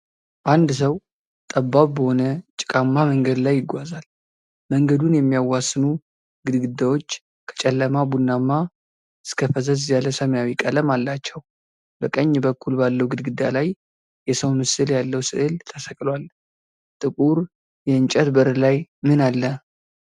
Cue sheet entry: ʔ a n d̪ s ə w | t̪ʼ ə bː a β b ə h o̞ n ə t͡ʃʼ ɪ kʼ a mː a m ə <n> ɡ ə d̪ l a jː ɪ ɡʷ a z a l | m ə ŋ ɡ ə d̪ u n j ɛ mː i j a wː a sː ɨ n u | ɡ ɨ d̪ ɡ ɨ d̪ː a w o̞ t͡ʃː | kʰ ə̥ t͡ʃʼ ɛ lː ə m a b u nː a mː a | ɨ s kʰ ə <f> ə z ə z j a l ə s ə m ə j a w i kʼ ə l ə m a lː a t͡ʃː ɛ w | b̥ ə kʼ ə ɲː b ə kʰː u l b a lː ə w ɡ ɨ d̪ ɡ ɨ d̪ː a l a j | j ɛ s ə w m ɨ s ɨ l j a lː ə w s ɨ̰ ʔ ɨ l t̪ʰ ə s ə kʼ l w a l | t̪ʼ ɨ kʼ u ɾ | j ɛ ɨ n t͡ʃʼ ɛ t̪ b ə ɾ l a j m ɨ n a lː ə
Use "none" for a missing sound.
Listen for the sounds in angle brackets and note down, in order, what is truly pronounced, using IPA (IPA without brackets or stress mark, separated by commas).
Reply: ŋ, f